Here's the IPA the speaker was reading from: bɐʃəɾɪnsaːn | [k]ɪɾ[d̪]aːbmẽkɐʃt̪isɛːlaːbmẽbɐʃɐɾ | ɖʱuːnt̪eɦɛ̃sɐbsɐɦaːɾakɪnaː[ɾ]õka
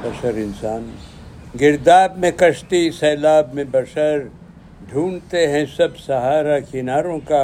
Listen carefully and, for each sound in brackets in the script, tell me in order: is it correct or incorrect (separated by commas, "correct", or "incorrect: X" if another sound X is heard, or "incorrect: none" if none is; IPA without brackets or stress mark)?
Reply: incorrect: ɡ, correct, correct